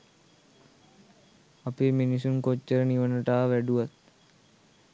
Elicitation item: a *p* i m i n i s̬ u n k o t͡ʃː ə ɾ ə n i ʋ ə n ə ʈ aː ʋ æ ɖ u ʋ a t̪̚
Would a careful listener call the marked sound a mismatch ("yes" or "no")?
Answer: no